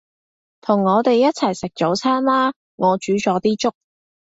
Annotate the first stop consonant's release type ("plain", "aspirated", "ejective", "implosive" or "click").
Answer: aspirated